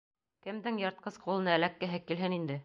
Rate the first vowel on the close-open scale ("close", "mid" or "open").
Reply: mid